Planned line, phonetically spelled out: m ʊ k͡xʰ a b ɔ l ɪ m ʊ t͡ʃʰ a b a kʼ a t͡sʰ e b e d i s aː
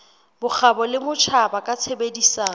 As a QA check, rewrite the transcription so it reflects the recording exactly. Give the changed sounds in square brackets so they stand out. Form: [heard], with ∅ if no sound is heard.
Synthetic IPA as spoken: [b] ʊ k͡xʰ a b ɔ l ɪ m ʊ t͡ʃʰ a b a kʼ a t͡sʰ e b e d i s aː